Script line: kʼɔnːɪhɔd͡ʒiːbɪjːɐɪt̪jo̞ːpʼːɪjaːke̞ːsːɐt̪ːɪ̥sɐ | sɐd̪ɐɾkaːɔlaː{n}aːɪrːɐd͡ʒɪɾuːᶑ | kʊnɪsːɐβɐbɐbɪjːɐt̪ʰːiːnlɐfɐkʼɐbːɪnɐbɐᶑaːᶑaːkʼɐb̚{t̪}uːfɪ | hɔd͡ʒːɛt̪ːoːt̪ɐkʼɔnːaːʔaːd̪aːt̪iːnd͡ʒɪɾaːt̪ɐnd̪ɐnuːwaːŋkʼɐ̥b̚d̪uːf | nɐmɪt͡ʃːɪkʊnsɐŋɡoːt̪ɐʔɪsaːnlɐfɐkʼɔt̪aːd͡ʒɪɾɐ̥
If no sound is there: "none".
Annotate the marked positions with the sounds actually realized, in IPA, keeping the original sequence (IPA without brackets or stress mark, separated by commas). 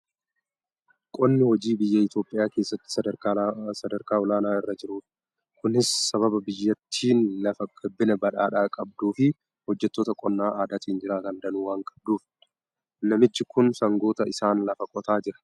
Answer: n, d̪